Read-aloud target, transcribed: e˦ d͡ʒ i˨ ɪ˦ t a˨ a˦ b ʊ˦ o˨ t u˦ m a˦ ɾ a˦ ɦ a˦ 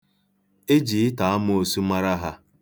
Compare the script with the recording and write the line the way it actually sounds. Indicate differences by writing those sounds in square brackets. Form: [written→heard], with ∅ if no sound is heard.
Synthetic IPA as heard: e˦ d͡ʒ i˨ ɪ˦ t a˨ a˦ [b→m] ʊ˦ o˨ [t→s] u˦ m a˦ ɾ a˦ ɦ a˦